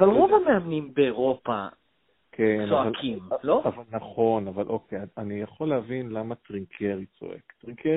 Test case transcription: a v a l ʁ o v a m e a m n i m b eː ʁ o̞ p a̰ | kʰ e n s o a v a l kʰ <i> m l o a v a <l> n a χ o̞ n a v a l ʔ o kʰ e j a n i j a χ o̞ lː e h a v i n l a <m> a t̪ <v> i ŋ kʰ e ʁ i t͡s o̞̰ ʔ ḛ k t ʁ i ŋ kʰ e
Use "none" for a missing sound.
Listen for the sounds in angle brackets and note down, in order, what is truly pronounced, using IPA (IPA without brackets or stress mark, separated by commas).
i, l, m, ʁ